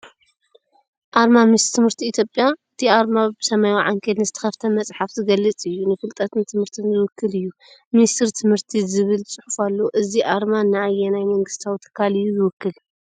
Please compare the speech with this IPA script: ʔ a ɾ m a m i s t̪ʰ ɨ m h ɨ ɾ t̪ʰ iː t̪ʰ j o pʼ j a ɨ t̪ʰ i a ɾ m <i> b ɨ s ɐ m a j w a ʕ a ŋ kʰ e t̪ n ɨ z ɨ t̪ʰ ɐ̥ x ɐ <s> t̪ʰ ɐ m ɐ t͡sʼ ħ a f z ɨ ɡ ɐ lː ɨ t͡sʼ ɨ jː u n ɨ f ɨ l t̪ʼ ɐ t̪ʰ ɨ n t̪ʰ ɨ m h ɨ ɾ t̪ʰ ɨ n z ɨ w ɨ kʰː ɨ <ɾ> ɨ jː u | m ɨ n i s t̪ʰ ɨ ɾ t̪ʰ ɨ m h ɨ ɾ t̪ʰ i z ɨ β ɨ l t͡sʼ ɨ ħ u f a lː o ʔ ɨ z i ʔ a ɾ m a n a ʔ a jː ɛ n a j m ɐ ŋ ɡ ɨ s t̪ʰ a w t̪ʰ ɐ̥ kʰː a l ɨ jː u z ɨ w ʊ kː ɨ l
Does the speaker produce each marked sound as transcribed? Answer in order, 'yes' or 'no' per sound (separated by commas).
no, no, no